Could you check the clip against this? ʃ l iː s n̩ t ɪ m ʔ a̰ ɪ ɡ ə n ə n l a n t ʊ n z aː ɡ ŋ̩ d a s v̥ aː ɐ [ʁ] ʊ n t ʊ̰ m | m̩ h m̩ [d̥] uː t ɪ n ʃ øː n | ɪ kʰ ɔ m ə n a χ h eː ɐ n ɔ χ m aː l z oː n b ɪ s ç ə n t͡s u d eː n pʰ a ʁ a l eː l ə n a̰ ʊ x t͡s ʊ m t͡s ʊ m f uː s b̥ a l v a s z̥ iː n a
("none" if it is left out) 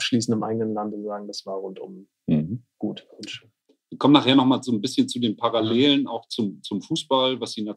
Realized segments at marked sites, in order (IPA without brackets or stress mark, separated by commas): ʁ, ɡ̥